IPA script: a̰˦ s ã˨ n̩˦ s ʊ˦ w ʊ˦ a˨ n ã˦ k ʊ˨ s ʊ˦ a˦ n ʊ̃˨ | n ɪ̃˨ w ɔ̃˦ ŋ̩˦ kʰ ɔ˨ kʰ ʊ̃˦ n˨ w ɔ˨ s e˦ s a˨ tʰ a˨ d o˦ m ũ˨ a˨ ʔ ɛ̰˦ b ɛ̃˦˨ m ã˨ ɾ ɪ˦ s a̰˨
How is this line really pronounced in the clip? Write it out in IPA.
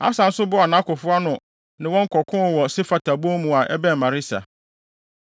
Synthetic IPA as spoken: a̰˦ s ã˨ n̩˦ s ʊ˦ b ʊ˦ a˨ n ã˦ k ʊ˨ f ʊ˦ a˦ n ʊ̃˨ | n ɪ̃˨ w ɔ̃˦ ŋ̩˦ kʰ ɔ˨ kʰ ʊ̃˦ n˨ w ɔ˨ s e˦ f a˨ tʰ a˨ b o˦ m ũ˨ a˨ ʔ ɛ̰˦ b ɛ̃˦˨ m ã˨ ɾ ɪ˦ s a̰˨